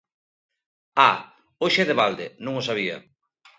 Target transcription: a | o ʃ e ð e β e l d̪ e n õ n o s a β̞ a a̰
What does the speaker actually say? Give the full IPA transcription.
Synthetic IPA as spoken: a | o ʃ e ð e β a l d̪ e n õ ŋ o s a β̞ i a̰